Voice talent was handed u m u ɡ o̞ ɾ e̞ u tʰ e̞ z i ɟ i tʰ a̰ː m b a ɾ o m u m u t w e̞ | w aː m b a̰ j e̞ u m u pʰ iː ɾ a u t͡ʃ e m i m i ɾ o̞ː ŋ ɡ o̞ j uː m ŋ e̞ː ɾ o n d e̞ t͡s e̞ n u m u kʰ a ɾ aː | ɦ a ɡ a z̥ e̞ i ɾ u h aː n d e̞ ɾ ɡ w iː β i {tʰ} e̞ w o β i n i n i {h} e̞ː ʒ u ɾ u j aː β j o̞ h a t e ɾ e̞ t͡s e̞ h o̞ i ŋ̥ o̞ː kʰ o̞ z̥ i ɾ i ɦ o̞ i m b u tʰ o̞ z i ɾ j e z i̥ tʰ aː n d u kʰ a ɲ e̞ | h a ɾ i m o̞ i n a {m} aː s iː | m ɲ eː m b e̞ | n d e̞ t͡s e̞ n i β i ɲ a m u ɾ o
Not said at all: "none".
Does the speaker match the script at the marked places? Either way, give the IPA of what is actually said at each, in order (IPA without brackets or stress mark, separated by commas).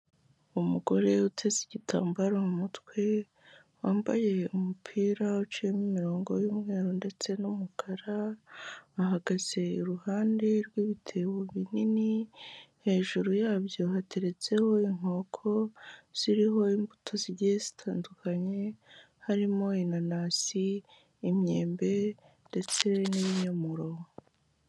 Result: tʰ, h, n